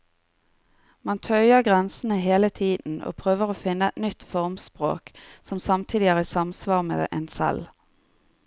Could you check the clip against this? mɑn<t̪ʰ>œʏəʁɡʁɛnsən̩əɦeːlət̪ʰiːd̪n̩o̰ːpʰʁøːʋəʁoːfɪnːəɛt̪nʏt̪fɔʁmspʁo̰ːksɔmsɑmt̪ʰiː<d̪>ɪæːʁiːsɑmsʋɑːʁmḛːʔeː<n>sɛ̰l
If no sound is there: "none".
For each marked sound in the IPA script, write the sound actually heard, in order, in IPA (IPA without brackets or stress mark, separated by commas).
t̪ʰ, d̪, n